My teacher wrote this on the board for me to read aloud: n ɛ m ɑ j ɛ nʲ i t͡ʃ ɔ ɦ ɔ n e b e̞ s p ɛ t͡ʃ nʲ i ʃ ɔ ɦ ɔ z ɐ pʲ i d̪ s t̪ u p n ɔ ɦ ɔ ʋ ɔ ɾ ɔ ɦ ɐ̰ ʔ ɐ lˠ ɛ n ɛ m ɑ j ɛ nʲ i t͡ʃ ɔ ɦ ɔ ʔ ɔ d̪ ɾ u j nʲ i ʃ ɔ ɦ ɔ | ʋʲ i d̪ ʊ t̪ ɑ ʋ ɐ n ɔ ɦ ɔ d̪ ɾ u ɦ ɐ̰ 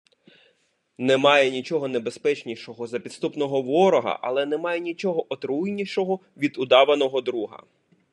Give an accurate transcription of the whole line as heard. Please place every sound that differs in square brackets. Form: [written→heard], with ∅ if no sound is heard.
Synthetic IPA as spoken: n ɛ m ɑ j ɛ nʲ i t͡ʃ ɔ ɦ ɔ n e b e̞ s p ɛ t͡ʃ nʲ i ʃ ɔ ɦ ɔ z ɐ pʲ i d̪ s t̪ u p n ɔ ɦ ɔ ʋ ɔ ɾ ɔ ɦ ɐ̰ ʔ ɐ lˠ ɛ n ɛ m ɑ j ɛ nʲ i t͡ʃ ɔ ɦ ɔ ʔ ɔ [d̪→t̪] ɾ u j nʲ i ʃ ɔ ɦ ɔ | ʋʲ i d̪ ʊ [t̪→d̪] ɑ ʋ ɐ n ɔ ɦ ɔ d̪ ɾ u ɦ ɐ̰